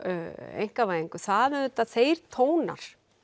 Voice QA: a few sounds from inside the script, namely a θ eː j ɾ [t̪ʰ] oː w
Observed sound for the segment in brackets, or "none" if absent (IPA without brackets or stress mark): t̪ʰ